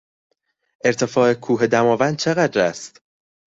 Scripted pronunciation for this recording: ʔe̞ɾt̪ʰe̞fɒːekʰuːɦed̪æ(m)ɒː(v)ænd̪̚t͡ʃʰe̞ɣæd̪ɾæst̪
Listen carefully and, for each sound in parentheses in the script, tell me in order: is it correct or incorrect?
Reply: correct, correct

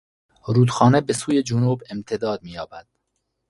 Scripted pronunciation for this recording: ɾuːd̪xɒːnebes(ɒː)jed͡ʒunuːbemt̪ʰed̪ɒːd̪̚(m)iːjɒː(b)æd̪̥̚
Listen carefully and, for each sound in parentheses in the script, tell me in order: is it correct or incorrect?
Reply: incorrect: uː, correct, correct

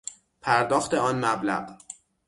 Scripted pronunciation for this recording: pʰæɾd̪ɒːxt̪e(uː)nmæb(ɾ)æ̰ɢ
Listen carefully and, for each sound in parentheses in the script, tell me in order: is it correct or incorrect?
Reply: incorrect: ɒː, incorrect: l

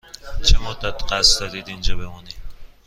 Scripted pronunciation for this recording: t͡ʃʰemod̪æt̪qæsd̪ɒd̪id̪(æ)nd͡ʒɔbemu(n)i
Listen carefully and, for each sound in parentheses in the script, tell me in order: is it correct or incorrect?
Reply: incorrect: i, correct

